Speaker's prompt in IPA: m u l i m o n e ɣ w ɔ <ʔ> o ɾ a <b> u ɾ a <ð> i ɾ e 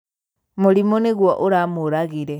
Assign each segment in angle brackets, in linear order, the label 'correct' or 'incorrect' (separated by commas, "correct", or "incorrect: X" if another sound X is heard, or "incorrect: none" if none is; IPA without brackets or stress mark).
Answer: correct, incorrect: m, incorrect: ɣ